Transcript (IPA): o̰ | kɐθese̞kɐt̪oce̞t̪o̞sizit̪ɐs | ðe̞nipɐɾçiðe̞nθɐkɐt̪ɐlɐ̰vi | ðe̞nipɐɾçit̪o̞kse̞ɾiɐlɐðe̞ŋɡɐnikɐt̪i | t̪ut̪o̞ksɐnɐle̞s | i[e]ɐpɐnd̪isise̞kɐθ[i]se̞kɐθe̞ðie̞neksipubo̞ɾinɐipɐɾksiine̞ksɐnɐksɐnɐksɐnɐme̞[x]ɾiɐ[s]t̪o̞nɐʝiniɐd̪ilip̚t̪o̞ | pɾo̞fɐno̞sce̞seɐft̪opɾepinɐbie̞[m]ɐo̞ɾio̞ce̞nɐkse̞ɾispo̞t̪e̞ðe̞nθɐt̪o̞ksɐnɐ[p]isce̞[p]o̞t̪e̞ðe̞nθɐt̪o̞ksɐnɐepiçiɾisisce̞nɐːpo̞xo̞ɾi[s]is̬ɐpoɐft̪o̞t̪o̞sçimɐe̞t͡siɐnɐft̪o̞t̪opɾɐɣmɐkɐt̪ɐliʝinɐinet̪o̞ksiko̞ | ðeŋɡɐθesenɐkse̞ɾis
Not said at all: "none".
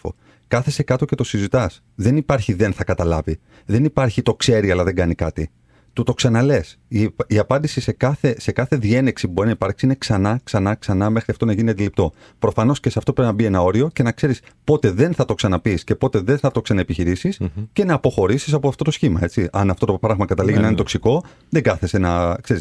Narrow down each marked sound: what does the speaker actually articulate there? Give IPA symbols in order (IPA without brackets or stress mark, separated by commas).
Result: i, e, x, f, n, p, p, s